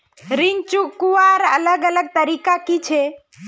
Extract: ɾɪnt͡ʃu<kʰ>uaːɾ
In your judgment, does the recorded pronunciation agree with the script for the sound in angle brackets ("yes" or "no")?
no